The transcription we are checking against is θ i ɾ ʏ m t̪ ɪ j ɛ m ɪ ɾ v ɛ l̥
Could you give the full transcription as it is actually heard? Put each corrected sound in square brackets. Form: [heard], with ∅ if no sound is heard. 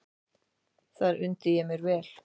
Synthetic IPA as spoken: θ [a] ɾ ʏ [n] t̪ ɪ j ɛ m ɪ ɾ v [ɛː] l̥

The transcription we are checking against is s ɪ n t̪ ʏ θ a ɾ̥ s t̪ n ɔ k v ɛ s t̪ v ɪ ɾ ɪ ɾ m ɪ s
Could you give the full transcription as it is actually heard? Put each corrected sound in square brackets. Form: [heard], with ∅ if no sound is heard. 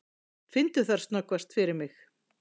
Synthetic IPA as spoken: [f] ɪ n t̪ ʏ θ a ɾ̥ s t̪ n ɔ k v [a] s t̪ [f] ɪ ɾ ɪ ɾ m ɪ [x]

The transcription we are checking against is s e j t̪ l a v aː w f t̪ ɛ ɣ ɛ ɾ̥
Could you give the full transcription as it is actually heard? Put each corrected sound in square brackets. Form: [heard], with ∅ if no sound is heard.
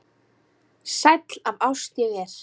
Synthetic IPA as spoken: s [a] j t̪ l a v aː w [s] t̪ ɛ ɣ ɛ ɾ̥

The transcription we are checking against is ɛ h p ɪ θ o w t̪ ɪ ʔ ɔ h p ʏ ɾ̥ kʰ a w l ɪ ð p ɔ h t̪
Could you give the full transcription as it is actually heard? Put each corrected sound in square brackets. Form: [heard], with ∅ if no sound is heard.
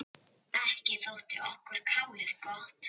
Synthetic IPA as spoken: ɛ h [c] ɪ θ o w t̪ ɪ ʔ ɔ h [k] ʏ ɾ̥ kʰ a w l ɪ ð [k] ɔ h t̪

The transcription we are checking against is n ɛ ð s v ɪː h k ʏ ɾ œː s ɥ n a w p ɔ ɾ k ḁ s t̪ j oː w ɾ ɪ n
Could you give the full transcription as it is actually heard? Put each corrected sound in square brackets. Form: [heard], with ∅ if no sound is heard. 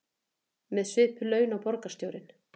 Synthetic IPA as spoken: [m] ɛ ð s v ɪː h [p] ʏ [l] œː [∅] ɥ n a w p ɔ ɾ k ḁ s t̪ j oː w ɾ ɪ n

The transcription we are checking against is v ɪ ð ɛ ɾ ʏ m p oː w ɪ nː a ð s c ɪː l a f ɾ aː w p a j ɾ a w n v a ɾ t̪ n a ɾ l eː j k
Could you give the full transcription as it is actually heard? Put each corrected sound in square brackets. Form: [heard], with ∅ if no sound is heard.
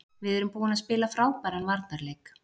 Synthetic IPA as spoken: v ɪ ð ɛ ɾ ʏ m p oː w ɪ [n] a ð s [p] ɪː l a f ɾ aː w p a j ɾ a [∅] n v a ɾ t̪ n a ɾ l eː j k

